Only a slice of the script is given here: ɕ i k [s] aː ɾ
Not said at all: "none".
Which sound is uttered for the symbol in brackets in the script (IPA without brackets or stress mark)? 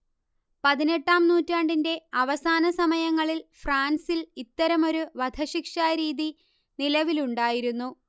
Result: ʂ